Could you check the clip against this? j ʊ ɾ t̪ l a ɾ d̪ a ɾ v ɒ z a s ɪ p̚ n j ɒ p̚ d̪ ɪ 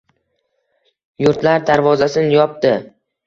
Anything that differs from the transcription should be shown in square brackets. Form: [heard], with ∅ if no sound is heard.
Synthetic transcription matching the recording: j ʊ ɾ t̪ l a ɾ d̪ a ɾ v ɒ z a s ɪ [∅] n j ɒ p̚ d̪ ɪ